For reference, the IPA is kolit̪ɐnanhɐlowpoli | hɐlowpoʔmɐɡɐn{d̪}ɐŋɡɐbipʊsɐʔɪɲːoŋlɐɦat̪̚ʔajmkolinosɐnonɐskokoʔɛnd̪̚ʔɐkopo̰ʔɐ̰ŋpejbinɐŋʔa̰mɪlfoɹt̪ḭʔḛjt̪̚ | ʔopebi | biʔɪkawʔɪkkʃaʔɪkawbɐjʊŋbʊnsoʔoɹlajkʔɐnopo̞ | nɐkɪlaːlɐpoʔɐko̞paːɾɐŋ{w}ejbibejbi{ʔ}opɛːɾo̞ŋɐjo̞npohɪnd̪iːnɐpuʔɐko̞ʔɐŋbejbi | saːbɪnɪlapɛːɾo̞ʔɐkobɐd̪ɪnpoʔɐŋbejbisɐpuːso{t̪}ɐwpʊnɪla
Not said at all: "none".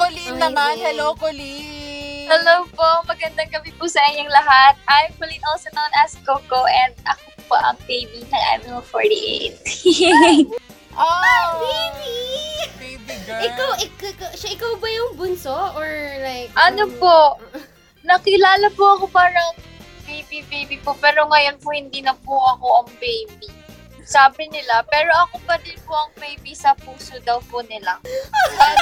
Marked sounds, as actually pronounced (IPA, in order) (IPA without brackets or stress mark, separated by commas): d̪, b, p, d̪